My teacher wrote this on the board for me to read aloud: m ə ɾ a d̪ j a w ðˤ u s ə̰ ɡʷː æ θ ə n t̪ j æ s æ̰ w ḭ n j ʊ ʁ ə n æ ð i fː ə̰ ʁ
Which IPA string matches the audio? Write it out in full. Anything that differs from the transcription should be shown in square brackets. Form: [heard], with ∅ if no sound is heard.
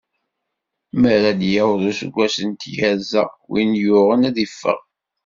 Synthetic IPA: m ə ɾ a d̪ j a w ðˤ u s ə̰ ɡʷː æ [s] ə n t̪ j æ [z] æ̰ w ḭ n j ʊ ʁ ə n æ ð i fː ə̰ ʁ

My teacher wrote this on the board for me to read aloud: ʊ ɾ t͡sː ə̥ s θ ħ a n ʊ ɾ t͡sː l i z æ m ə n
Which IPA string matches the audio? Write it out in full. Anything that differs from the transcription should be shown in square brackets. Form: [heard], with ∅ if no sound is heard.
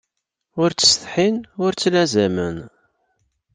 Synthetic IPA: ʊ ɾ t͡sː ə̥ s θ ħ [i] n ʊ ɾ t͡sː l [æ] z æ m ə n

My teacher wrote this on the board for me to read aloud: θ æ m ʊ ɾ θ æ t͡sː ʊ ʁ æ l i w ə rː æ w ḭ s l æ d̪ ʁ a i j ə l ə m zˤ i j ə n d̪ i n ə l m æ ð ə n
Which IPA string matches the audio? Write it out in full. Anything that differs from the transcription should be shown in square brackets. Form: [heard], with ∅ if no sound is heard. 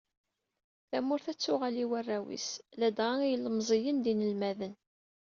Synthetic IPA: θ æ m ʊ ɾ θ æ t͡sː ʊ ʁ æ l i w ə rː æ w ḭ s l æ d̪ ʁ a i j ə l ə m zˤ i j ə n d̪ i n ə l m æ ð ə n

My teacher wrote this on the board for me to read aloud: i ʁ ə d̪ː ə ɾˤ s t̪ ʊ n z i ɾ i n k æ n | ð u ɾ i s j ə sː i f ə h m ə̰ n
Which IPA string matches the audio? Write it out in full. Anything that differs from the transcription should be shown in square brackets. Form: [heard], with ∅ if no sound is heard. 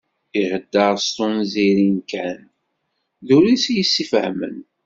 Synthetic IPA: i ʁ ə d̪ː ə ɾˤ s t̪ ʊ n z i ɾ i n k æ n | ð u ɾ i s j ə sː i f ə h m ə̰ n

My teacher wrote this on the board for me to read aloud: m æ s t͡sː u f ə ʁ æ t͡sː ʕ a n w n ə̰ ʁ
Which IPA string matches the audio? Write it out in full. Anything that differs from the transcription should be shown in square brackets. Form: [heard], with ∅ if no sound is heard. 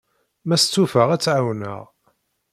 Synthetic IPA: m æ s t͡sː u f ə ʁ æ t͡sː ʕ a [∅] w n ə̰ ʁ

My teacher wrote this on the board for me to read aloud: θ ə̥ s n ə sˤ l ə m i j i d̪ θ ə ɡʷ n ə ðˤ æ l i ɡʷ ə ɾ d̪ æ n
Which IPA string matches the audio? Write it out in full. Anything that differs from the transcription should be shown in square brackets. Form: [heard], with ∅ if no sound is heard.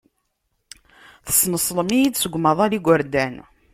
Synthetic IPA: θ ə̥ s n ə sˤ l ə m i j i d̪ [s] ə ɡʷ [m] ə ðˤ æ l i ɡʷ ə ɾ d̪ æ n

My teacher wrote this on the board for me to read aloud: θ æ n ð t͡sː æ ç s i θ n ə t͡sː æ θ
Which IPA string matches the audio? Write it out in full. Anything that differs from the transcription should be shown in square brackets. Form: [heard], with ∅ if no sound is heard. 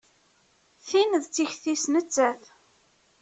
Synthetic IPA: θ [i] n ð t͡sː [i] ç [θ] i [s] n ə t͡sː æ θ

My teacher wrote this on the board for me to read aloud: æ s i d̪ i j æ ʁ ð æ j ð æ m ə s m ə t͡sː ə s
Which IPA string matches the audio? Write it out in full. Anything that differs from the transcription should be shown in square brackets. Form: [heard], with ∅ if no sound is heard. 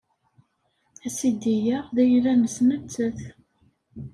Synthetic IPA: æ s i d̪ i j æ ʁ ð æ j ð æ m ə s m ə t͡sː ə [θ]

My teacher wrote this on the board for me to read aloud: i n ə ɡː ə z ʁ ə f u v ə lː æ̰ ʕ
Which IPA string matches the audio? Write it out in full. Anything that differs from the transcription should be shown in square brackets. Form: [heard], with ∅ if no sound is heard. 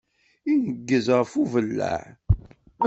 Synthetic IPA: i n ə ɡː ə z ʁ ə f u v ə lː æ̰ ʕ

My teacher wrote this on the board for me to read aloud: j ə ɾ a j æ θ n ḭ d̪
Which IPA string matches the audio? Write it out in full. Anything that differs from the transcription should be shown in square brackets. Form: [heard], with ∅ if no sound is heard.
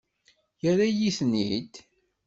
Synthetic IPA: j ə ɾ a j [i] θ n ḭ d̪

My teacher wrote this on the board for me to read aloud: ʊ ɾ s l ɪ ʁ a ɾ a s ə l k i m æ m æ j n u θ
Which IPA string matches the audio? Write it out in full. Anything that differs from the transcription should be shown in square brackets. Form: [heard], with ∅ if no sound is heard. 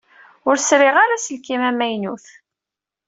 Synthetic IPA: ʊ ɾ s [ɾ] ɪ ʁ a ɾ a s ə l k i m æ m æ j n u θ

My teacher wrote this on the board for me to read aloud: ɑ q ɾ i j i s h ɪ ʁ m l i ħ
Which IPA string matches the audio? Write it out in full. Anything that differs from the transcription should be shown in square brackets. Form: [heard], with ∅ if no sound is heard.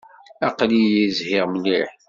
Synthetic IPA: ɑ q [l] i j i [z] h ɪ ʁ m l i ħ

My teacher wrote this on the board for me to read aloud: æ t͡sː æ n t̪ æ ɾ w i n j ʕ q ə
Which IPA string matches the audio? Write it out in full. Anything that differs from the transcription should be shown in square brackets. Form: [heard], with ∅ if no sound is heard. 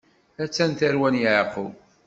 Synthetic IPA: æ t͡sː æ n t̪ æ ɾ w [æ] n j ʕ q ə

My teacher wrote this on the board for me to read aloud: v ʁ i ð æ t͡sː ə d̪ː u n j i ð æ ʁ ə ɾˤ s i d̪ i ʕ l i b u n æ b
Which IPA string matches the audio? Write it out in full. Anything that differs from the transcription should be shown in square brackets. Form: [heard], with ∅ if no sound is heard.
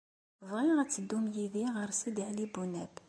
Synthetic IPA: v ʁ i [ʁ] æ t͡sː ə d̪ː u [m] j i ð [i] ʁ ə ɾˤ s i d̪ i ʕ l i b u n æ b

